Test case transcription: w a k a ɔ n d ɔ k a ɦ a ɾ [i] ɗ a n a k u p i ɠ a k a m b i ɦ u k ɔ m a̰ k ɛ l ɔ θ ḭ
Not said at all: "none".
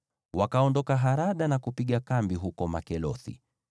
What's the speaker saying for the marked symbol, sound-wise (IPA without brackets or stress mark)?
a